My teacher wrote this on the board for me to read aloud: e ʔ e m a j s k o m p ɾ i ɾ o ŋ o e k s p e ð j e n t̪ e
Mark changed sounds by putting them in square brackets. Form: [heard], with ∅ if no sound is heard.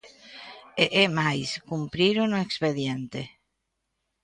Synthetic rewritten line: e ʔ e m a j s k [u] m p ɾ i ɾ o [n] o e k s p e ð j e n t̪ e